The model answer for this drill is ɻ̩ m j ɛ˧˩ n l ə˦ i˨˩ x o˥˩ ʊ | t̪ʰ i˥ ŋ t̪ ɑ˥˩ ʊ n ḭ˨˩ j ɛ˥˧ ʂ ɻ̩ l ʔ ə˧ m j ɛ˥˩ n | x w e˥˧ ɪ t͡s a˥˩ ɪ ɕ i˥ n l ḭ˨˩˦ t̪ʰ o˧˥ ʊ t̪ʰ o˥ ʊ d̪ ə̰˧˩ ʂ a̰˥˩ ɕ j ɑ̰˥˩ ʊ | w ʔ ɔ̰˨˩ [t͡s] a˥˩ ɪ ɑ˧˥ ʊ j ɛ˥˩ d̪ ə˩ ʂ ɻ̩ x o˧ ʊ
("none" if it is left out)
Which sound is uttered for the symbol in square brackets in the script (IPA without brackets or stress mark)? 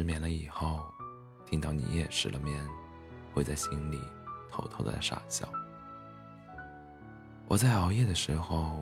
t͡s